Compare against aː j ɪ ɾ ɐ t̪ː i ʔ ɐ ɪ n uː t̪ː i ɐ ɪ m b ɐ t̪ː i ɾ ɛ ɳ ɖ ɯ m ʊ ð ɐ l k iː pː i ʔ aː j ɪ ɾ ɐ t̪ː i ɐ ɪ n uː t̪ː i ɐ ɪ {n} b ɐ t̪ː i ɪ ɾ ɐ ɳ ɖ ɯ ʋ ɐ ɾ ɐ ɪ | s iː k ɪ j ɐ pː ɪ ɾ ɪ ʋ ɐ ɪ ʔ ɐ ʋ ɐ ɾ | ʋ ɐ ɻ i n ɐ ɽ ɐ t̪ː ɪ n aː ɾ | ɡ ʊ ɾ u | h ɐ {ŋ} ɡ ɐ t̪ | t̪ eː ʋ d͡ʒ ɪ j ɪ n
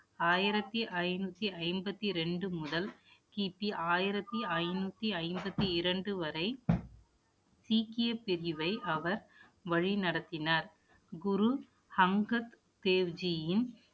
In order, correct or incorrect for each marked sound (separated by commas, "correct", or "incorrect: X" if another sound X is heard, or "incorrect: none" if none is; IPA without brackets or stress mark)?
incorrect: m, correct